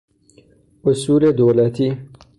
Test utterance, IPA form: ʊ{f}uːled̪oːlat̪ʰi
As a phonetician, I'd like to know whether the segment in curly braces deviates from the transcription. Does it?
yes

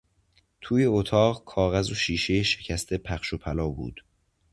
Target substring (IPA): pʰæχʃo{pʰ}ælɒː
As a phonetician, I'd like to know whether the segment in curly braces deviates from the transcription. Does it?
no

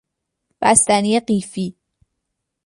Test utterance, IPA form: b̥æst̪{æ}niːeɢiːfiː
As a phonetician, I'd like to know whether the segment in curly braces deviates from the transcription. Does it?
no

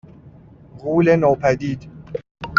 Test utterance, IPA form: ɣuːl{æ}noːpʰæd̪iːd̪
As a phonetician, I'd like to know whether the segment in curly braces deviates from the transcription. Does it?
yes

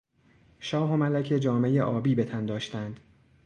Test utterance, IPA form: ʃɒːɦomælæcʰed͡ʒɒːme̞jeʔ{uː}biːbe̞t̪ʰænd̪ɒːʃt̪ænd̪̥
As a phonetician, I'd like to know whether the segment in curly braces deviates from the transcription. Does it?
yes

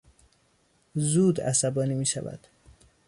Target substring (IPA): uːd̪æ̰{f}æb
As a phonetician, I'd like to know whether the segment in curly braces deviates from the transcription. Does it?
yes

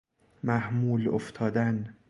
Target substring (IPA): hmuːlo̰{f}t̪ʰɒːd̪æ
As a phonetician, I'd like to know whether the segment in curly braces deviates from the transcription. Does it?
no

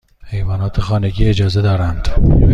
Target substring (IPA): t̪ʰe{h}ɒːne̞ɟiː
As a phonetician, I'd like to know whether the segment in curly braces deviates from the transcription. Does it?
yes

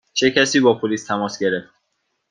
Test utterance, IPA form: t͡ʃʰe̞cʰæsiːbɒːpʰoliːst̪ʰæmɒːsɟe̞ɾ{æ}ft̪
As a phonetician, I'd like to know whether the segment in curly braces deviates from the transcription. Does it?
yes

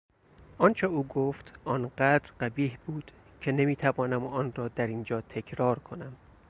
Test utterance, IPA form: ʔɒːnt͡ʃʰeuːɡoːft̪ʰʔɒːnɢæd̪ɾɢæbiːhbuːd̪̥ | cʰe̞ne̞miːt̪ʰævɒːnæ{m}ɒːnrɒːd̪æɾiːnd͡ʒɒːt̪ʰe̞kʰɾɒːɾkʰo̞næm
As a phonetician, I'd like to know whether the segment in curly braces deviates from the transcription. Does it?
no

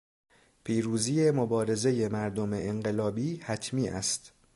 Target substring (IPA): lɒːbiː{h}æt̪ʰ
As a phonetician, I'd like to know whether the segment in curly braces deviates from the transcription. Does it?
no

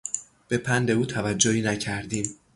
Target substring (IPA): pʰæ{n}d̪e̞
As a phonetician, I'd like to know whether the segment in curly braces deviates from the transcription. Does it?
no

